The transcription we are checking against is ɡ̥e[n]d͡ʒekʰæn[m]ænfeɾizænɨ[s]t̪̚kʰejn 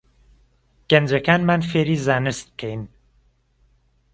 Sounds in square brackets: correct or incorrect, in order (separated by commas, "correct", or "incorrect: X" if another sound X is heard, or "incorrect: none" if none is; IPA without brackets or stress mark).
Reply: correct, correct, correct